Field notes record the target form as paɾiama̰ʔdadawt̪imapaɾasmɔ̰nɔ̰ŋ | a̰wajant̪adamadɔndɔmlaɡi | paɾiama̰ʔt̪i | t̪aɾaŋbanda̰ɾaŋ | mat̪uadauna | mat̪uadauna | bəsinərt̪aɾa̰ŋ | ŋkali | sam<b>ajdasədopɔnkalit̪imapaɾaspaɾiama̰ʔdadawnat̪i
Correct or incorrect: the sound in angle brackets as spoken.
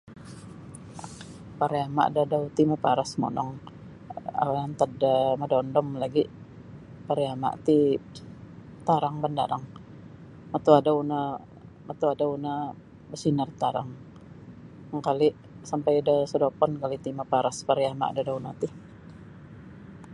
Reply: incorrect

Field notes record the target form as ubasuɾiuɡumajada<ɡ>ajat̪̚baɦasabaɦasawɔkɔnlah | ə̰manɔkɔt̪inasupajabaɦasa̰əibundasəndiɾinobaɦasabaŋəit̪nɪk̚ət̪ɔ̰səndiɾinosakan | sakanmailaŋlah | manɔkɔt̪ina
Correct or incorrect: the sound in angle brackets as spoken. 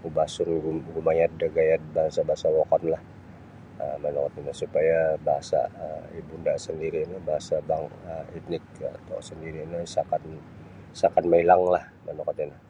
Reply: correct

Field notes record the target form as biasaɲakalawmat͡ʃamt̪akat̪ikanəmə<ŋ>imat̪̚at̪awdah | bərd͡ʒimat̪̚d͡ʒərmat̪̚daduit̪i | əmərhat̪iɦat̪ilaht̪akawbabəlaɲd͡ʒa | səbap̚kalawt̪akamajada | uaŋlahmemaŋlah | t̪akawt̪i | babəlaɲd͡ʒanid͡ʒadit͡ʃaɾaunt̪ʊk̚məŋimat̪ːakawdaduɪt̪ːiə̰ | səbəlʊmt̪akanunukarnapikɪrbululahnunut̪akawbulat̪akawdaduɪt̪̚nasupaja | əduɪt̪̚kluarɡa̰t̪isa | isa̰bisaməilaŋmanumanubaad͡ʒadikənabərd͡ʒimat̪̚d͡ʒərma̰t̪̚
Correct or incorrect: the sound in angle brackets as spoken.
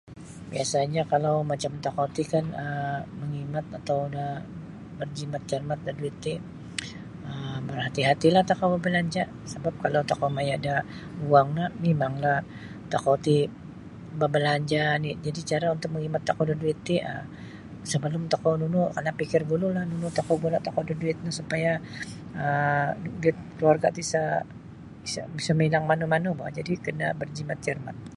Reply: correct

